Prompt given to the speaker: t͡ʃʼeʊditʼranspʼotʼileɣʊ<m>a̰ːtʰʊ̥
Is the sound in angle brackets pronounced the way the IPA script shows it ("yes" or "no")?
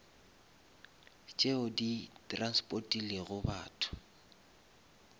no